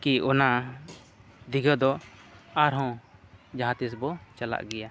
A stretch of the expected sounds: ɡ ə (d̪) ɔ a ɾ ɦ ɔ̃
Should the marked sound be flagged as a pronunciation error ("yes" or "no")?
no